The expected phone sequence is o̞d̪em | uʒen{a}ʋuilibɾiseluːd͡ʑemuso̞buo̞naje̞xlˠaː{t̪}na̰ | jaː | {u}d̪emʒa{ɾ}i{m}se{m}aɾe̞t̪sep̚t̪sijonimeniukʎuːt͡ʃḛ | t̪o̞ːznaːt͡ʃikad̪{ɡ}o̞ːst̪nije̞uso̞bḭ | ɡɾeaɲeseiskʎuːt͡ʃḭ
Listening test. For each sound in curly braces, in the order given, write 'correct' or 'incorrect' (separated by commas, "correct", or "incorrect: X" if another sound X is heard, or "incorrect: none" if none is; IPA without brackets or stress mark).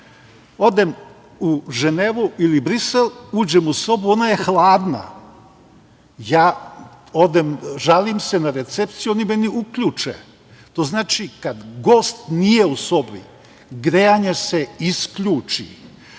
incorrect: e, incorrect: d̪, incorrect: o, incorrect: l, correct, incorrect: n, correct